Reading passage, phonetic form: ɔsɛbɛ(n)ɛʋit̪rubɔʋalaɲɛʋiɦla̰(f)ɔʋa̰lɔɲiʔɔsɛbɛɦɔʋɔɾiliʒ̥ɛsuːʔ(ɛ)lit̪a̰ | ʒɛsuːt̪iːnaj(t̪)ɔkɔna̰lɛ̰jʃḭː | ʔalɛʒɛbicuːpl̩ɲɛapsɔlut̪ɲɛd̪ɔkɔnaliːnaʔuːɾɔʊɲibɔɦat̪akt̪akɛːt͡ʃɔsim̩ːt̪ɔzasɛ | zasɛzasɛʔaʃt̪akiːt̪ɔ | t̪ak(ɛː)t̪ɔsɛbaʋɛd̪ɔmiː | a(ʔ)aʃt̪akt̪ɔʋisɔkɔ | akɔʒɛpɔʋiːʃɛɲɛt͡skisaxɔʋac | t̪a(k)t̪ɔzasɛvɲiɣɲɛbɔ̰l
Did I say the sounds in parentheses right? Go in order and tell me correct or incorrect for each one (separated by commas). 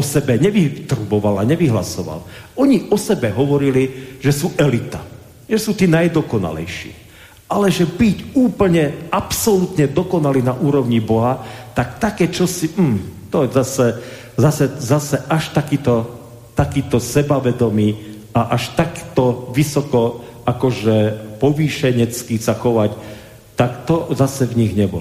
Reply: incorrect, incorrect, correct, incorrect, incorrect, correct, correct